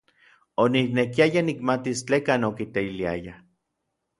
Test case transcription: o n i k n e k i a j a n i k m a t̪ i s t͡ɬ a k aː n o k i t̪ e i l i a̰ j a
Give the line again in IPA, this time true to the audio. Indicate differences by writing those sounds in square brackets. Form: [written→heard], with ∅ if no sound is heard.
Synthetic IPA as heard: o n i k n e k i a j a n i k m a t̪ i s t͡ɬ [a→e] k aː n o k i t̪ e i l i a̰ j a